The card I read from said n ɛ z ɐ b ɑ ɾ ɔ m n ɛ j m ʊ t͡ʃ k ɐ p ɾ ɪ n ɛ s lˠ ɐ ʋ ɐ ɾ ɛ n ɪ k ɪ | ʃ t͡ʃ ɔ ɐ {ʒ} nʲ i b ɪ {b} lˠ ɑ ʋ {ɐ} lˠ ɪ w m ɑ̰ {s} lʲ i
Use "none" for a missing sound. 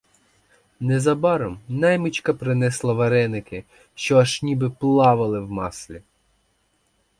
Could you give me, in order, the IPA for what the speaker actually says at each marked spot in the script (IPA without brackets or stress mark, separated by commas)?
ʃ, p, ɐ, s